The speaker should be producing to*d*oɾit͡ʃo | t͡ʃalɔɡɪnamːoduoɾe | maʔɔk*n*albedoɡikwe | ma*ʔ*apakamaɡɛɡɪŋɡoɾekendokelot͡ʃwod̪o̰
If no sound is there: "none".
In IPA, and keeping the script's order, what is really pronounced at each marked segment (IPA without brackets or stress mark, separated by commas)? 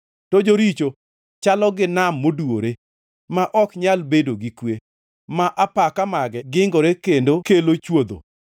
d͡ʒ, ɲ, ʔ